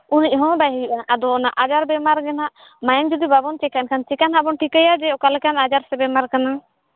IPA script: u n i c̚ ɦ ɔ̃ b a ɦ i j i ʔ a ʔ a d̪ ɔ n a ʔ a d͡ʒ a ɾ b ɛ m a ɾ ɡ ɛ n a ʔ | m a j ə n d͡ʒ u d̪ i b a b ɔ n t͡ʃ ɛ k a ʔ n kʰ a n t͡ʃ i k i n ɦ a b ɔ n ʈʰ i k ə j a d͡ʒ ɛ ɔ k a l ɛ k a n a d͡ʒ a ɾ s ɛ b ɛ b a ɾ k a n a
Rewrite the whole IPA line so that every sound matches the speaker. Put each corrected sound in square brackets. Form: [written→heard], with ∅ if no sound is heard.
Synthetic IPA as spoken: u n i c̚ ɦ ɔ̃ b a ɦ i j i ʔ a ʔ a d̪ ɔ n a ʔ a d͡ʒ a ɾ b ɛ m a ɾ ɡ ɛ n a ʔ | m a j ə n d͡ʒ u d̪ i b a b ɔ n t͡ʃ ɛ k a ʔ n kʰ a n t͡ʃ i k [i→a] n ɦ a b ɔ n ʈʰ i k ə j a d͡ʒ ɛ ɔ k a l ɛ k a n a d͡ʒ a ɾ s ɛ b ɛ [b→m] a ɾ k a n a

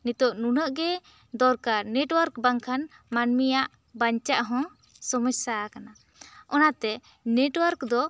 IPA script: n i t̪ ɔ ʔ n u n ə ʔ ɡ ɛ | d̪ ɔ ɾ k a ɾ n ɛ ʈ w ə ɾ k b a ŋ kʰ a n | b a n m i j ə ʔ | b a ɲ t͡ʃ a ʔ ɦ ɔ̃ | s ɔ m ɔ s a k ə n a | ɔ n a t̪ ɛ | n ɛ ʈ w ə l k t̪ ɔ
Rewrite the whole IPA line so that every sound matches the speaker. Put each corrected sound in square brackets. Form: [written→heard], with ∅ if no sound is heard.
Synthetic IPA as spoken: n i t̪ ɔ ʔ n u n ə ʔ ɡ ɛ | d̪ ɔ ɾ k a ɾ n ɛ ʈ w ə ɾ k b a ŋ kʰ a n | [b→m] a n m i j [ə→a] ʔ | b a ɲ t͡ʃ a ʔ ɦ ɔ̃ | s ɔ m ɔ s a k [ə→a] n a | ɔ n a t̪ ɛ | n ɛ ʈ w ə [l→ɾ] k [t̪→d̪] ɔ

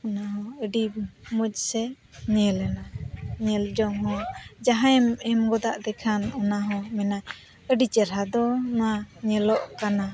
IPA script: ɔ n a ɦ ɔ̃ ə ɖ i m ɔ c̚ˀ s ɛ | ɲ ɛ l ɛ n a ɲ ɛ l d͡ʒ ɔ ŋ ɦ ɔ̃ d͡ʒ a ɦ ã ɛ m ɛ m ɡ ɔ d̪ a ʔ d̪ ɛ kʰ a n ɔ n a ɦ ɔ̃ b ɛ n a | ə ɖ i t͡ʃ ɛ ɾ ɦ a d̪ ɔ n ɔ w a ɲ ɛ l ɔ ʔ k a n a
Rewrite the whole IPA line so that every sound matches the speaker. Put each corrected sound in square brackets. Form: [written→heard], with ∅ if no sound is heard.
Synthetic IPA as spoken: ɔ n a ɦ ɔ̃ ə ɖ i m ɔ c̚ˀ s ɛ | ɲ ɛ l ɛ n a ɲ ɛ l d͡ʒ ɔ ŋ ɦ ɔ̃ d͡ʒ a ɦ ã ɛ m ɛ m ɡ ɔ d̪ a ʔ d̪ ɛ kʰ a n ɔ n a ɦ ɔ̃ [b→m] ɛ n a | ə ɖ i t͡ʃ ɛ ɾ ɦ a d̪ ɔ n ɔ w a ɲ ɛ l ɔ ʔ k a n a

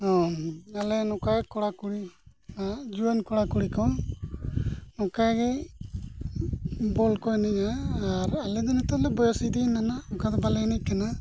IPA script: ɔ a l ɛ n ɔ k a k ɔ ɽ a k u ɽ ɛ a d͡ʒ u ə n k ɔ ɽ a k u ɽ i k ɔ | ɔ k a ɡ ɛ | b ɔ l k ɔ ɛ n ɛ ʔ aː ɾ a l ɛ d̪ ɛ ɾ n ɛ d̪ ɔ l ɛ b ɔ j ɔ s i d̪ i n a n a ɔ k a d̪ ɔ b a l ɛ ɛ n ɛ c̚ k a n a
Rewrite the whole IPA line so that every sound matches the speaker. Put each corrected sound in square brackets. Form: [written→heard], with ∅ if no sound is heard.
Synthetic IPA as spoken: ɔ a l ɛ n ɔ k a k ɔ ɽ a k u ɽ [ɛ→i] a d͡ʒ u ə n k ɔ ɽ a k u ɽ i k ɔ | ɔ k a ɡ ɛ | b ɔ l k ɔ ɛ n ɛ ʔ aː ɾ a l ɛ d̪ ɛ [ɾ→∅] n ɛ [d̪→t̪] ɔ l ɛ b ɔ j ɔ s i d̪ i n a n a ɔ k a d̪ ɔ b a l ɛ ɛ n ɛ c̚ k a n a

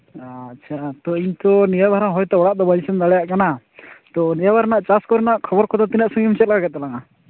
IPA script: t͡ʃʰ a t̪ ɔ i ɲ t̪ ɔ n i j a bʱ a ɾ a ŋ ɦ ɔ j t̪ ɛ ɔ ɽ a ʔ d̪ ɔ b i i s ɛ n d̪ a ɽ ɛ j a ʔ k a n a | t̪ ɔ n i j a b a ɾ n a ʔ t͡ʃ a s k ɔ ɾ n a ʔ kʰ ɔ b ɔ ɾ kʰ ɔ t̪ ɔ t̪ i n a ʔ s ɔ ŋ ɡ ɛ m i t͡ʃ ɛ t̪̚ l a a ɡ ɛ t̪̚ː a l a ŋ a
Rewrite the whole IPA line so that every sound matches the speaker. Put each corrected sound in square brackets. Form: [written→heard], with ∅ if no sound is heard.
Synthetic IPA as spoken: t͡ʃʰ a t̪ ɔ i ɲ t̪ ɔ n i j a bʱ a ɾ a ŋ ɦ ɔ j t̪ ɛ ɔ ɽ a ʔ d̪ ɔ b [i→a] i s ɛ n d̪ a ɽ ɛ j a ʔ k a n a | t̪ ɔ n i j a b a ɾ n a ʔ t͡ʃ a s k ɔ ɾ n a ʔ kʰ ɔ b ɔ ɾ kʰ ɔ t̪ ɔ t̪ i n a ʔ s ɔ ŋ ɡ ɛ m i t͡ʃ ɛ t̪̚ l a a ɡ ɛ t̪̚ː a l a ŋ a

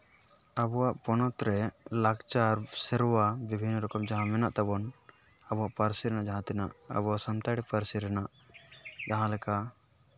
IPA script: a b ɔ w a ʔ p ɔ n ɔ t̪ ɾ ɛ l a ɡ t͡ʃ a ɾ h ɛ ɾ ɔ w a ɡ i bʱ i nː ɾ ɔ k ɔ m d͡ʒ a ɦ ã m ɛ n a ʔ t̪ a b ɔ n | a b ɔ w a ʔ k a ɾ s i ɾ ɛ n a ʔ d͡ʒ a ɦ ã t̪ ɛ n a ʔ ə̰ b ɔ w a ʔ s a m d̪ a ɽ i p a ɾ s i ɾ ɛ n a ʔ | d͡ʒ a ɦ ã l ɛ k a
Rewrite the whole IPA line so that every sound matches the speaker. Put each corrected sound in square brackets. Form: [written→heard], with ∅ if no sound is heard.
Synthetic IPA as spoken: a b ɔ w a ʔ p ɔ n ɔ t̪ ɾ ɛ l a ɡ t͡ʃ a ɾ [h→s] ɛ ɾ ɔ w a [ɡ→b] i bʱ i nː ɾ ɔ k ɔ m d͡ʒ a ɦ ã m ɛ n a ʔ t̪ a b ɔ n | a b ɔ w a ʔ [k→p] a ɾ s i ɾ ɛ n a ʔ d͡ʒ a ɦ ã t̪ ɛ n a ʔ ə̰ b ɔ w a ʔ s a m [d̪→t̪] a ɽ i p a ɾ s i ɾ ɛ n a ʔ | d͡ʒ a ɦ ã l ɛ k a

